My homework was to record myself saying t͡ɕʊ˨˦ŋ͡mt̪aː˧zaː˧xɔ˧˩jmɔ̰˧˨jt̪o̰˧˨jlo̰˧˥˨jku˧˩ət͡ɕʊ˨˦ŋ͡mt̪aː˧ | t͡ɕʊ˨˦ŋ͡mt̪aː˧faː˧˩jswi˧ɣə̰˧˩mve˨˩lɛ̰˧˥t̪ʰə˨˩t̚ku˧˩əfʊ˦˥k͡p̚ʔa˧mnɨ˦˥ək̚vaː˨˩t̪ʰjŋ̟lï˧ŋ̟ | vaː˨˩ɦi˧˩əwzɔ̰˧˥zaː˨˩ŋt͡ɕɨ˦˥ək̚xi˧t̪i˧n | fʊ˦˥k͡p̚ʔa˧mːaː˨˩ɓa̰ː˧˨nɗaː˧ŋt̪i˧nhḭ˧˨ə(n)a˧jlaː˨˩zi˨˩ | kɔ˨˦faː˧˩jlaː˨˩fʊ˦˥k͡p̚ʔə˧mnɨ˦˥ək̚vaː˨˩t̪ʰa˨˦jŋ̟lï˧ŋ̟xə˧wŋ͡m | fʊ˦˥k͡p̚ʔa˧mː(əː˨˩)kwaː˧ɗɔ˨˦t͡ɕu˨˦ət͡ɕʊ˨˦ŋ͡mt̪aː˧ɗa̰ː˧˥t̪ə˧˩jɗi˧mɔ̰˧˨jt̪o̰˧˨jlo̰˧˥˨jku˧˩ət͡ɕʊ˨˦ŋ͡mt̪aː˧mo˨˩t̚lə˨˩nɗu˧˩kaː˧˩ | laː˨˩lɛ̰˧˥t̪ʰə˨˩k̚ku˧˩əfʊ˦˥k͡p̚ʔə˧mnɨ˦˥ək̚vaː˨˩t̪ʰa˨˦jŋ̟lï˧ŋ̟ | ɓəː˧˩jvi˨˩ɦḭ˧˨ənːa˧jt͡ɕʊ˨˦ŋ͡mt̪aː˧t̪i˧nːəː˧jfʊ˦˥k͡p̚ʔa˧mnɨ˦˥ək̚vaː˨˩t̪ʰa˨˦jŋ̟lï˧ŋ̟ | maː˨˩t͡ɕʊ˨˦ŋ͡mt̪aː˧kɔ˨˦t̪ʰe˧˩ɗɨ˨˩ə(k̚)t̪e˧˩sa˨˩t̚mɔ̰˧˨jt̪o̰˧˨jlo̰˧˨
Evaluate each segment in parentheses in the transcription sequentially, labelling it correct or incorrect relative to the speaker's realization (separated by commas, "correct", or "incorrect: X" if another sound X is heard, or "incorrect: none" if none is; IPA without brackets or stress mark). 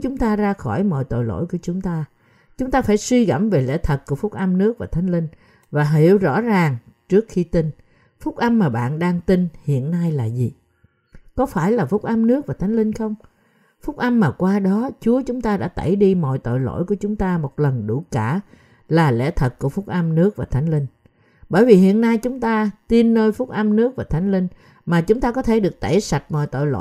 incorrect: nː, incorrect: aː˨˩, correct